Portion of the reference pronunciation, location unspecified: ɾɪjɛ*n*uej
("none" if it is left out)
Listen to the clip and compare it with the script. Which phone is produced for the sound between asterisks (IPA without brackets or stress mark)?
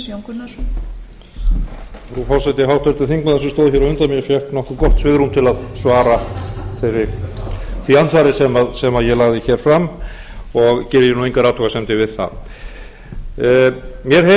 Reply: n